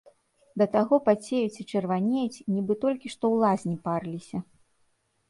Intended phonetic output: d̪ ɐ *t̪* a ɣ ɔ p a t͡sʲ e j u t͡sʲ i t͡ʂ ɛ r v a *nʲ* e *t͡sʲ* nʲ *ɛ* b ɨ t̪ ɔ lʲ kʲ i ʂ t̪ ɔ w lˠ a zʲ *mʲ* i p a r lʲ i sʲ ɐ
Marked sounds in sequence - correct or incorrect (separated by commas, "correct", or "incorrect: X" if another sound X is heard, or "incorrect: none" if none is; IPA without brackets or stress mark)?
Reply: correct, correct, correct, incorrect: i, incorrect: nʲ